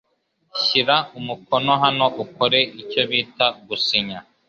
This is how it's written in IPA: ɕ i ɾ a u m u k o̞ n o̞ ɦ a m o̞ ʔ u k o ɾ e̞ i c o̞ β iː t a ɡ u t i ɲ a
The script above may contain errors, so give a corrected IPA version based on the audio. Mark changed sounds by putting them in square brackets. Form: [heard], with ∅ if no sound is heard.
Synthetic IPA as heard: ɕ i ɾ a u m u k o̞ n o̞ ɦ a [n] o̞ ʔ u k o ɾ e̞ i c o̞ β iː t a ɡ u [s] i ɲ a